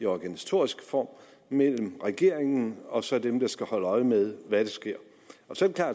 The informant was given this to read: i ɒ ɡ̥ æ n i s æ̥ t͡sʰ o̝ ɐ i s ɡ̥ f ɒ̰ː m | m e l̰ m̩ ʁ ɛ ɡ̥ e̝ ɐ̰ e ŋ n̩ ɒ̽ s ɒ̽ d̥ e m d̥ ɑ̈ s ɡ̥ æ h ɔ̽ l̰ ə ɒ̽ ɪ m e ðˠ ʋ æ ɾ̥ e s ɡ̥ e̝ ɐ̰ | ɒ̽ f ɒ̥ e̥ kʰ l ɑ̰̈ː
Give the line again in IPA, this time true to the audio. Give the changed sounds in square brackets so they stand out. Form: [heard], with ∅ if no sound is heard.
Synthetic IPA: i ɒ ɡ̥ æ n i s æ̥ t͡sʰ o̝ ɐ i s ɡ̥ f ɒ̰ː m | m e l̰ m̩ ʁ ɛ ɡ̥ e̝ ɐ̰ e ŋ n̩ ɒ̽ s ɒ̽ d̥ e m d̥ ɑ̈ s ɡ̥ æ h [ɒ̽] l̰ ə ɒ̽ ɪ m e ðˠ ʋ æ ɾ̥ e s ɡ̥ e̝ ɐ̰ | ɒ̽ [s] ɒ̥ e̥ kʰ l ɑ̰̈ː